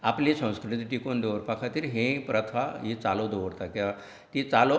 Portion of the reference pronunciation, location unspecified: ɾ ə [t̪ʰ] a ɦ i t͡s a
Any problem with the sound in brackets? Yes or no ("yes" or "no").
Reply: no